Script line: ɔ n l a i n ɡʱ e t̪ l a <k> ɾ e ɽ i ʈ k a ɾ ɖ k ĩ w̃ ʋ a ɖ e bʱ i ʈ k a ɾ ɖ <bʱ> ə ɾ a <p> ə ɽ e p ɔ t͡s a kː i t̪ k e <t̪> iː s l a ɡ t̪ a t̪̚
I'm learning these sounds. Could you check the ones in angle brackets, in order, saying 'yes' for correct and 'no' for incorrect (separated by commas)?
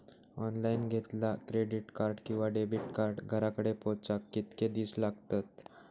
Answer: yes, no, no, no